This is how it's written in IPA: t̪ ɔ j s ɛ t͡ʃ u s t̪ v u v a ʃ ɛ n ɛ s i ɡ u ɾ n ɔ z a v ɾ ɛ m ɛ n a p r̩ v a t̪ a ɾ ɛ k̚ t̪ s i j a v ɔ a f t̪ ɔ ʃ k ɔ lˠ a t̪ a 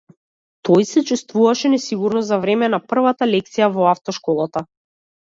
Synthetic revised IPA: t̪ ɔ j s ɛ t͡ʃ u s t̪ v u v a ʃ ɛ n ɛ s i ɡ u ɾ n ɔ z a v ɾ ɛ m ɛ n a p r̩ v a t̪ a l ɛ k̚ t̪ s i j a v ɔ a f t̪ ɔ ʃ k ɔ lˠ a t̪ a